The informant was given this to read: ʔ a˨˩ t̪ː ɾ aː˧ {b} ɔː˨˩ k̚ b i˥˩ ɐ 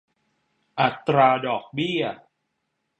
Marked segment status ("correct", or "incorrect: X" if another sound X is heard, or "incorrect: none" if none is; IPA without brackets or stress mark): incorrect: d